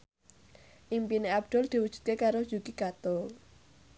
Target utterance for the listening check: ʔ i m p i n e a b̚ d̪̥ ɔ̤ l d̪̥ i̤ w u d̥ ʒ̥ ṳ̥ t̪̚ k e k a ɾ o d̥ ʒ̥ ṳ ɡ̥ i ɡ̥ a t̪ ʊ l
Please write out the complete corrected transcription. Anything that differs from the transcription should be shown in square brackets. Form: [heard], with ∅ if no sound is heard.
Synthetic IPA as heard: ʔ i m p i n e a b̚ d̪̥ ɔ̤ l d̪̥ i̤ w u d̥ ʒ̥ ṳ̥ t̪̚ k e k a ɾ o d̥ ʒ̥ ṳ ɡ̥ i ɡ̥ a t̪ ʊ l

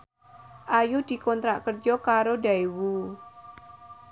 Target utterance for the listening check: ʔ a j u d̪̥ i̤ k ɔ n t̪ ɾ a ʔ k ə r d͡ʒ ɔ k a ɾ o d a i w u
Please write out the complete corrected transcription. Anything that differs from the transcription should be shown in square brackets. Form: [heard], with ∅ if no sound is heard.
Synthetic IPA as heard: ʔ a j u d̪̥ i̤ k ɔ n t̪ ɾ a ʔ k ə r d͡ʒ ɔ k a ɾ o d a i w u

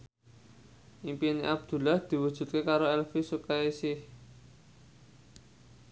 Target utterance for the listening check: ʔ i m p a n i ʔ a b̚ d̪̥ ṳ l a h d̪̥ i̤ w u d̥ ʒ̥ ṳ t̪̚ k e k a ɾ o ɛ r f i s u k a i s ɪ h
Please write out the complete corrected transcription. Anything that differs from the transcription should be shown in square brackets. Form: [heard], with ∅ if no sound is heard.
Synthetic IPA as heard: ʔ i m p [i] n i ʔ a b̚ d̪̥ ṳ l a h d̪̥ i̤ w u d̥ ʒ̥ ṳ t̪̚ k e k a ɾ o ɛ [l] f i s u k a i s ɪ h

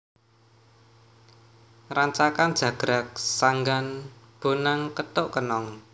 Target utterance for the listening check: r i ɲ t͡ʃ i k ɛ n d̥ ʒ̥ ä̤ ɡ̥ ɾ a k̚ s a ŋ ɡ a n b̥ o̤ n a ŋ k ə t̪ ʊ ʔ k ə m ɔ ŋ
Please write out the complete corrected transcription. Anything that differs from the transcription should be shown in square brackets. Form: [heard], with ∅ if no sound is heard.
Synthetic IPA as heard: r [a] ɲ t͡ʃ [a] k [a] n d̥ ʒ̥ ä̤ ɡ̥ ɾ a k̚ s a ŋ ɡ a n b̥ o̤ n a ŋ k ə t̪ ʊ ʔ k ə [n] ɔ ŋ

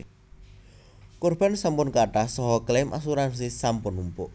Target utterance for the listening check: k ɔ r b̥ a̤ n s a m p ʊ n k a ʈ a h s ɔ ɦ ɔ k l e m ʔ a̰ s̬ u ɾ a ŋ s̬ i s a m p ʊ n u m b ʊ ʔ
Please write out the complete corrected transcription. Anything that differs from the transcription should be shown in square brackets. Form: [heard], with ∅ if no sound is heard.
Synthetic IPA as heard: k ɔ r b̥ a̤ n s a m p ʊ n k a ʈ a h s ɔ ɦ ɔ k l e m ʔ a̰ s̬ u ɾ a [n] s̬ i s a m p ʊ n u m [p] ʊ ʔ

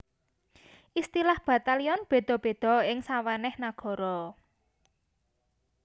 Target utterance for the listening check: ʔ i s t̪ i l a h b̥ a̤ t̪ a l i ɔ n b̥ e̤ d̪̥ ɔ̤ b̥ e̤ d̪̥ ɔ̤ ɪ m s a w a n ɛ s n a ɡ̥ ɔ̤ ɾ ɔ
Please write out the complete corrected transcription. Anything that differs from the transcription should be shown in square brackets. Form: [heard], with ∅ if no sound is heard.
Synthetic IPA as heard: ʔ i s t̪ i l a h b̥ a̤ t̪ a l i ɔ n b̥ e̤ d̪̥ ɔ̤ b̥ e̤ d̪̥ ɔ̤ ɪ [ŋ] s a w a n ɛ [h] n a ɡ̥ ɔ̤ ɾ ɔ

